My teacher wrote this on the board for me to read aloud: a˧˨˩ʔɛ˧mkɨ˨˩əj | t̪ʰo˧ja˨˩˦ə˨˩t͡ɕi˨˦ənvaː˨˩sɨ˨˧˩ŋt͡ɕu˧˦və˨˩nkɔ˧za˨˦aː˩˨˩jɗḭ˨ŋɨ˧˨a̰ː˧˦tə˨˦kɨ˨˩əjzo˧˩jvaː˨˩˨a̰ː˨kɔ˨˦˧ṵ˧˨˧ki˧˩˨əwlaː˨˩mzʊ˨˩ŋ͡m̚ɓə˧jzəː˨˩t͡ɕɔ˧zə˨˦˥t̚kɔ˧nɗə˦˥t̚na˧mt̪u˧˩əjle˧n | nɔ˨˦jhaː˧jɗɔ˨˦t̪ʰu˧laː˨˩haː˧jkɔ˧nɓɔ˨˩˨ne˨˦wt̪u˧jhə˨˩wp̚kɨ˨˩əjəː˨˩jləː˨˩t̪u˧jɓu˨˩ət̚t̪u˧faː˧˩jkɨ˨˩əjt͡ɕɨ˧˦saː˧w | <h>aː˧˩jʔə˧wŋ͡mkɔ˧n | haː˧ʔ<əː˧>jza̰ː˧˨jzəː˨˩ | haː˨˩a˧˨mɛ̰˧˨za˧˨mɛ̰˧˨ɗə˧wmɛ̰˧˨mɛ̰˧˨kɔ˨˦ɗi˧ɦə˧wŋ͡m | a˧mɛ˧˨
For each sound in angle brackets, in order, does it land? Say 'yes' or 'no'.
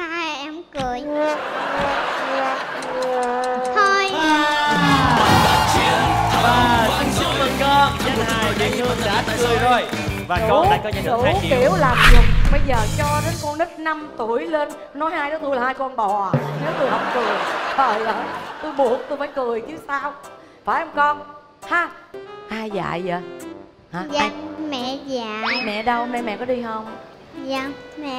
no, no

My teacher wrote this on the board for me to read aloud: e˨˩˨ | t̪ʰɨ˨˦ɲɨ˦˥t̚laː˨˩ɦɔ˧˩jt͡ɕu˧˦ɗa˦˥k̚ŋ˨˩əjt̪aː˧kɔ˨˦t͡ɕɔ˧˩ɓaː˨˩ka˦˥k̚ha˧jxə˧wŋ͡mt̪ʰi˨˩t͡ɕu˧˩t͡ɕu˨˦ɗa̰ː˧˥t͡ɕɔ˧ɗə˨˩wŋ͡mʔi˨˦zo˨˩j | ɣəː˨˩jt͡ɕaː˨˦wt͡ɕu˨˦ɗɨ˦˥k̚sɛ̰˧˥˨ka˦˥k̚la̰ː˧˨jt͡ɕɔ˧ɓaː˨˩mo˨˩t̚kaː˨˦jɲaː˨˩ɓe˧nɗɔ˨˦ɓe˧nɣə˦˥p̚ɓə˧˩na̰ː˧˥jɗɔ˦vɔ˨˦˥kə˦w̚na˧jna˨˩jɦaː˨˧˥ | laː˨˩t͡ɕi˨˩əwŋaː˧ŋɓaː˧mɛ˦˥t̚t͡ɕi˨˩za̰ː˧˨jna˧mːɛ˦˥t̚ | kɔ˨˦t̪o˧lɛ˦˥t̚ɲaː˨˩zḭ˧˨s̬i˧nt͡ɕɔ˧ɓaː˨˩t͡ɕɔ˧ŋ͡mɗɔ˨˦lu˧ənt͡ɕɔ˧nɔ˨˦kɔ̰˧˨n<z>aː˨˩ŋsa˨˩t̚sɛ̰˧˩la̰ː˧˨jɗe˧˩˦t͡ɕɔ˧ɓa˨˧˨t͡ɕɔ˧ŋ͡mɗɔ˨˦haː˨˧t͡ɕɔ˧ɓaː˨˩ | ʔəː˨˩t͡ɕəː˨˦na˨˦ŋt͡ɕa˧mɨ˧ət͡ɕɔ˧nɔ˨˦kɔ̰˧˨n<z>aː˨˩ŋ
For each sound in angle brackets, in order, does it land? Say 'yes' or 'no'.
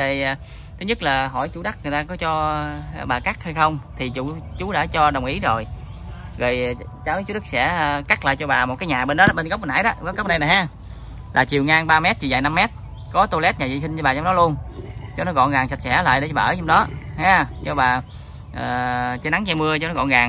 no, no

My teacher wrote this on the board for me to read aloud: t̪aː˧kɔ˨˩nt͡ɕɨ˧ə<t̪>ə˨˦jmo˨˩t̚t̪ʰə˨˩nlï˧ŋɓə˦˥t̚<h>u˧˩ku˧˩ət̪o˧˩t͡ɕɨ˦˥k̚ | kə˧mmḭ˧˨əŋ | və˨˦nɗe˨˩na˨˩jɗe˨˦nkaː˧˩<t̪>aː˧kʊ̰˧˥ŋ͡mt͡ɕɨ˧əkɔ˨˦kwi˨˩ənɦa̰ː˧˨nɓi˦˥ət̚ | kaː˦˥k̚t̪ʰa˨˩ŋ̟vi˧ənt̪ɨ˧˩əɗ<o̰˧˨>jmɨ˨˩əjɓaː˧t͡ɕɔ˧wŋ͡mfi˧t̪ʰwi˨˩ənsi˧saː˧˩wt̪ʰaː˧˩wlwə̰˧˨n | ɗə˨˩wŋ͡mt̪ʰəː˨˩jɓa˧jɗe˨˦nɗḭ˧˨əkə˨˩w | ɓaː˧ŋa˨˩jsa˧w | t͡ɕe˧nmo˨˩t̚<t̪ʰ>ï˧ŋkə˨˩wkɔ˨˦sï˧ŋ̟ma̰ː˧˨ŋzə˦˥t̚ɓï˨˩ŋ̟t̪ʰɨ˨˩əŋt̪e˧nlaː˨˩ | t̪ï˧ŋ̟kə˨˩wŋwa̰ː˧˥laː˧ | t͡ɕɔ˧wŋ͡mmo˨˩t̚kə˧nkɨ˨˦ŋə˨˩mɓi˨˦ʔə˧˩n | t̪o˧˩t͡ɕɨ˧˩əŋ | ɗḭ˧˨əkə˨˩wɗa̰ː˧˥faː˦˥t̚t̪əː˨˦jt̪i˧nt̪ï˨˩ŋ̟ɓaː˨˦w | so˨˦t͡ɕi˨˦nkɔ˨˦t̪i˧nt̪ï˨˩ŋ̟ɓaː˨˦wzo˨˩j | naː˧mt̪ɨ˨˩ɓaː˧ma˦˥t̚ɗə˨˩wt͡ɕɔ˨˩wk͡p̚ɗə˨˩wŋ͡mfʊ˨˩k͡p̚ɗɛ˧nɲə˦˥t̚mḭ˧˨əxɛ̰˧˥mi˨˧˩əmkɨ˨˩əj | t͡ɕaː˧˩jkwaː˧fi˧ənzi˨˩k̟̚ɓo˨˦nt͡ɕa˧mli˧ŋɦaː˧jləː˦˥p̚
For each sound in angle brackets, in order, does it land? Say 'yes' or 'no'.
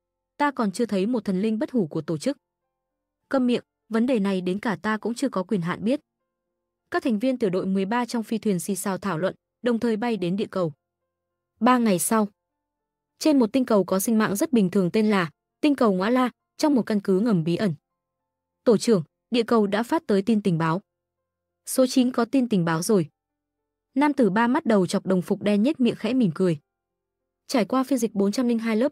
no, yes, yes, yes, no

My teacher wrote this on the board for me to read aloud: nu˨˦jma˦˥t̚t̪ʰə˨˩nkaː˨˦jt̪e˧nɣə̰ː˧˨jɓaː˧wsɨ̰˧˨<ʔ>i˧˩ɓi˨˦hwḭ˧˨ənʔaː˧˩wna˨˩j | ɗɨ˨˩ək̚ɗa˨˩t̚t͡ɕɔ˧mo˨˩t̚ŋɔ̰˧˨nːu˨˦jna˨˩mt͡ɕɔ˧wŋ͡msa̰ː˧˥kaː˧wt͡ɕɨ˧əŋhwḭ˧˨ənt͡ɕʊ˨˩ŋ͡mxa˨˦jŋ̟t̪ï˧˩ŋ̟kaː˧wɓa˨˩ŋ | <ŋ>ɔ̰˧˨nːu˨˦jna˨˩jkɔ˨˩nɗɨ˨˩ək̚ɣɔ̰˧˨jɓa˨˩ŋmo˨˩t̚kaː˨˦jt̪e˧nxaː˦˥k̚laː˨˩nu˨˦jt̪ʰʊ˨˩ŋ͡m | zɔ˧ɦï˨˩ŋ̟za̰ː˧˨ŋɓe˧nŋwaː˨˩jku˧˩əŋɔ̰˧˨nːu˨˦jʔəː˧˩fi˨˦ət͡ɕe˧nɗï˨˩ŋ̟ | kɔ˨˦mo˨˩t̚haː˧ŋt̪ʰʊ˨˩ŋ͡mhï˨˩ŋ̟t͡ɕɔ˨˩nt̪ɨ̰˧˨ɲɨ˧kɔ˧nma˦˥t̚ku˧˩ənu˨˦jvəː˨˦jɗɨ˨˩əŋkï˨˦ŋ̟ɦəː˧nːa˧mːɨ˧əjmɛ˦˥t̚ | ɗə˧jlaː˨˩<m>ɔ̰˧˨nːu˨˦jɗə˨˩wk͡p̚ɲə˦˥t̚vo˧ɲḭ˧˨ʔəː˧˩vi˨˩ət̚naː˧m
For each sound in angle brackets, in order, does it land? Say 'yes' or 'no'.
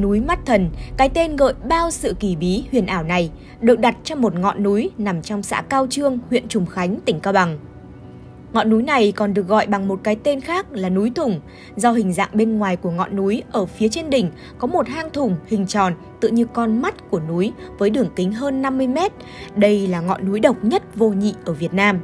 no, yes, no

